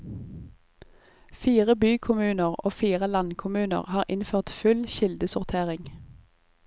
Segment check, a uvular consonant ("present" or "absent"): present